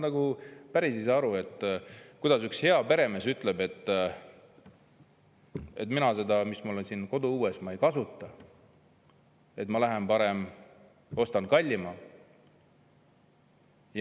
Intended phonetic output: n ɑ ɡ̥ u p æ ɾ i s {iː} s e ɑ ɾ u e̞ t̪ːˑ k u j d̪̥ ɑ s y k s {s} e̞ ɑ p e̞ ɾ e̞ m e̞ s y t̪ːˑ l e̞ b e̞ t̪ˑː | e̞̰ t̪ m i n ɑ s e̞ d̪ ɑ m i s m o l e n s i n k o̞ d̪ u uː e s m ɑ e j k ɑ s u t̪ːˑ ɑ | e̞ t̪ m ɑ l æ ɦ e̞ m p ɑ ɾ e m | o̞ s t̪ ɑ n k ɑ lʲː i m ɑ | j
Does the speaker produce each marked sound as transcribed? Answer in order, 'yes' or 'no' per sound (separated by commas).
no, no